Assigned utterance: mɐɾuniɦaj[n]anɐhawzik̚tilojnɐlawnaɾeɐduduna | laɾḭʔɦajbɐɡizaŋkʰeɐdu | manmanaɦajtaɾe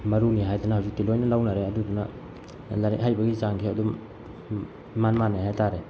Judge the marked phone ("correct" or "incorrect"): incorrect